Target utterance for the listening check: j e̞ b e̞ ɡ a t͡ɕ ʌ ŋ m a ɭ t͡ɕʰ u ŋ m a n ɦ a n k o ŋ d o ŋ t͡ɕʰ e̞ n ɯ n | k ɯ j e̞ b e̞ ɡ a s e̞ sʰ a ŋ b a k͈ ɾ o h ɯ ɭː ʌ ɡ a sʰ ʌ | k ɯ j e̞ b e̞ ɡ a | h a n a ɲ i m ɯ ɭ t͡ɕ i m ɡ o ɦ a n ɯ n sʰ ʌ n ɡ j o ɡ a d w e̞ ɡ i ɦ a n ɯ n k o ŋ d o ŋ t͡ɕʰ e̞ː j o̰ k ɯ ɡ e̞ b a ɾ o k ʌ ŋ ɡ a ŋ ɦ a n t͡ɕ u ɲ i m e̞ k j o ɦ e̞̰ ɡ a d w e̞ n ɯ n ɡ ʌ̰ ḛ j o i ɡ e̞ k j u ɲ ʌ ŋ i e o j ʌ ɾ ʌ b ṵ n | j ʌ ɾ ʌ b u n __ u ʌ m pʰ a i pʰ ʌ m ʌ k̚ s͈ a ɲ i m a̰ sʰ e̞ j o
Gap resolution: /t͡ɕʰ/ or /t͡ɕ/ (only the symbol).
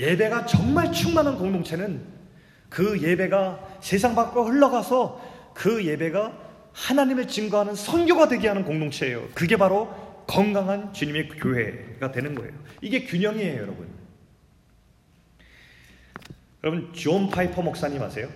t͡ɕ